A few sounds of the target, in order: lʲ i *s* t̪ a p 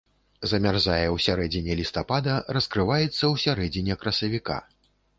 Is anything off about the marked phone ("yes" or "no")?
no